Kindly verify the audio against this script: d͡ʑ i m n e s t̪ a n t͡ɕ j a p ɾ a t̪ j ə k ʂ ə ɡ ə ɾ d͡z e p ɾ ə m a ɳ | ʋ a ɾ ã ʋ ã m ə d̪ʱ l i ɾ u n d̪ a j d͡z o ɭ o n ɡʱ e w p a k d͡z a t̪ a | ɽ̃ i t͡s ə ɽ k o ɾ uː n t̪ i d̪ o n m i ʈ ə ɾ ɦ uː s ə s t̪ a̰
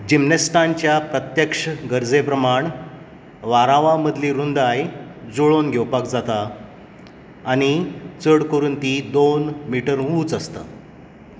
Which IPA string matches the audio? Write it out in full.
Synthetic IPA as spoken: d͡ʑ i m n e s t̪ a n t͡ɕ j a p ɾ ə t̪ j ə k ʂ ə ɡ ə ɾ d͡z e p ɾ ə m a ɳ | ʋ a ɾ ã ʋ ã m ə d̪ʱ l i ɾ u n d̪ a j d͡z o ɭ o n ɡʱ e w p a k d͡z a t̪ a | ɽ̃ i t͡s ə ɽ k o ɾ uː n t̪ i d̪ o n m i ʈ ə ɾ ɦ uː t͡s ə s t̪ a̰